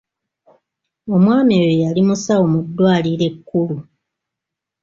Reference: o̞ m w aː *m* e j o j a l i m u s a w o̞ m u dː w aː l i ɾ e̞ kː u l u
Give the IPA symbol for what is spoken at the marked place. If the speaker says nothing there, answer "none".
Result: m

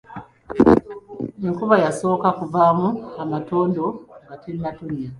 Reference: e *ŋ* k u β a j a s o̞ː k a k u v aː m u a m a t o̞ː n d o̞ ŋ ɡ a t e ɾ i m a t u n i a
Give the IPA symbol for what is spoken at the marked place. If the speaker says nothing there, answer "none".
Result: ŋ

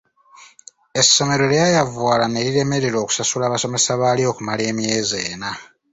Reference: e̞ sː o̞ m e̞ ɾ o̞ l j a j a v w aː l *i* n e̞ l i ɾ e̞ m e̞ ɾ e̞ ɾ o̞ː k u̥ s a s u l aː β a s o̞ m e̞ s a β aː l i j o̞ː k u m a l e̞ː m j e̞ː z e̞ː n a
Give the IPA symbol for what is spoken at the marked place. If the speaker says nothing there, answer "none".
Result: a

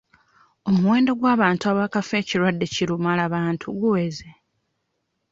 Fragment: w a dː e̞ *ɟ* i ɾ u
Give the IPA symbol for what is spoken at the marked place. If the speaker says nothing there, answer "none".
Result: c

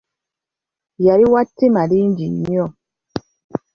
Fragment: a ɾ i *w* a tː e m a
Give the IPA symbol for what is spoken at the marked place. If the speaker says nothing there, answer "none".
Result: w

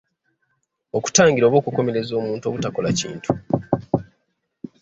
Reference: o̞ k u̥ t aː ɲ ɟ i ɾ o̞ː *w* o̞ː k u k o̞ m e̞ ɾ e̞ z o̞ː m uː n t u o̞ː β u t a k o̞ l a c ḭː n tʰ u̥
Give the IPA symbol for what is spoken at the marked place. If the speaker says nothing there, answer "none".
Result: β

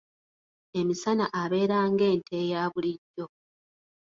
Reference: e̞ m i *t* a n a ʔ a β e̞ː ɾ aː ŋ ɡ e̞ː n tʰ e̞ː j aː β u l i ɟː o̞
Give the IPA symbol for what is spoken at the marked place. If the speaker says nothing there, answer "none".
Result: s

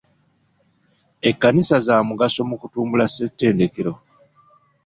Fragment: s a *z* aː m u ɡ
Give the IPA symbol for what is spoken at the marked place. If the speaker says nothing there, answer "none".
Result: z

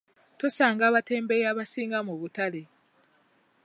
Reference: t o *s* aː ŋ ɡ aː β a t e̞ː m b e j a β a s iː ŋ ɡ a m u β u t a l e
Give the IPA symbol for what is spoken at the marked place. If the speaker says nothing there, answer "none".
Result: s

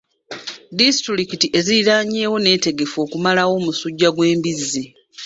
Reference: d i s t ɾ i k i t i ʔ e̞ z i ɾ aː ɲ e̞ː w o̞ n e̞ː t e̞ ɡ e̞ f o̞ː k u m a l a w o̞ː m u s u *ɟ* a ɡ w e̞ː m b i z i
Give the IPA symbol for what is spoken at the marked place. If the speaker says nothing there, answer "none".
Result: ɟː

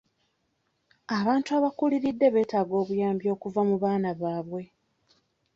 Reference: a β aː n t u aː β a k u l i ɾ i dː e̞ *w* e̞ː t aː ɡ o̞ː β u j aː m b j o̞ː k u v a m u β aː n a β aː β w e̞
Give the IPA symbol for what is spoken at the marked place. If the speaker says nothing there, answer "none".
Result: β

